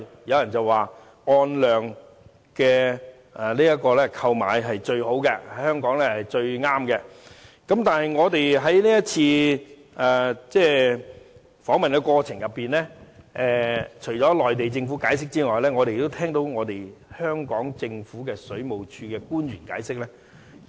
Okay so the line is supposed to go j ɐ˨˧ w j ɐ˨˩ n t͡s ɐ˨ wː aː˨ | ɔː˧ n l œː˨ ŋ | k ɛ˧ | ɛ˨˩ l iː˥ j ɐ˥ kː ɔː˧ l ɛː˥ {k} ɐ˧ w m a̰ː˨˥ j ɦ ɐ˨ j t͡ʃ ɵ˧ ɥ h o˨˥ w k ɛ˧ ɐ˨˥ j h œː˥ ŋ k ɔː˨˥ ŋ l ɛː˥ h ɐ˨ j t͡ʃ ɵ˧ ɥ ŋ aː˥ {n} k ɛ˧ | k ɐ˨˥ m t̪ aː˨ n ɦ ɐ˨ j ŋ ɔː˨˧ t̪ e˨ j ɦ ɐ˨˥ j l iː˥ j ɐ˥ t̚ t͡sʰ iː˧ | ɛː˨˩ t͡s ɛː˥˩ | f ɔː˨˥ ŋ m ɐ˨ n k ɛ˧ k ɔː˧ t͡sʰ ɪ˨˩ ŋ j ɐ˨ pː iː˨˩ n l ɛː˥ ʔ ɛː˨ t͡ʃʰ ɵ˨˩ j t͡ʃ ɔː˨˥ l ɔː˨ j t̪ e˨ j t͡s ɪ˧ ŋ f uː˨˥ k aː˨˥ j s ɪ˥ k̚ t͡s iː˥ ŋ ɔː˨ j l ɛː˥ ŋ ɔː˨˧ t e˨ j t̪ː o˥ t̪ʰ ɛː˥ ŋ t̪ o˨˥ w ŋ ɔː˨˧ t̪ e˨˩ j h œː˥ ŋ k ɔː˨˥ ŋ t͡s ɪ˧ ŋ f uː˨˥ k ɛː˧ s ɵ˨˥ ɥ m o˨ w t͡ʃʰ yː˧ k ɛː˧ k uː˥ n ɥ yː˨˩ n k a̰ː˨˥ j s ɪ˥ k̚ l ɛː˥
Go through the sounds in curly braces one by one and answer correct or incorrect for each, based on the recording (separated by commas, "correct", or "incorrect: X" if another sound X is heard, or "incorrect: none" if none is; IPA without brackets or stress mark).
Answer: incorrect: kʰ, incorrect: m